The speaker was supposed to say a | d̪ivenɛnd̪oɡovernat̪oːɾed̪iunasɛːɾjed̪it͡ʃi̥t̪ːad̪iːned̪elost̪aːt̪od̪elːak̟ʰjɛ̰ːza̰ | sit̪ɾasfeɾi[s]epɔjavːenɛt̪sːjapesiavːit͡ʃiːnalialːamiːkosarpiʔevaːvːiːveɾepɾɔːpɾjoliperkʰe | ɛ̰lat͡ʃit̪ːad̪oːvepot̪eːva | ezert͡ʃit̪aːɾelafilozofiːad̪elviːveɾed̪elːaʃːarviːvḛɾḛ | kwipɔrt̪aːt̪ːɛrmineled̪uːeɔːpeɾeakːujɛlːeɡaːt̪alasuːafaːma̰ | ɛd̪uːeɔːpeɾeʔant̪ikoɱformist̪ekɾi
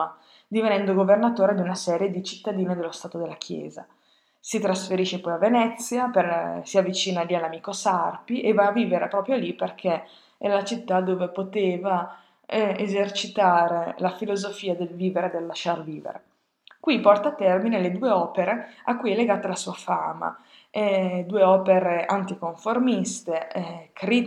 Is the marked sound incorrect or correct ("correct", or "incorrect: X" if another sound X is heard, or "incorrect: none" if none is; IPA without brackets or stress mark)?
incorrect: ʃ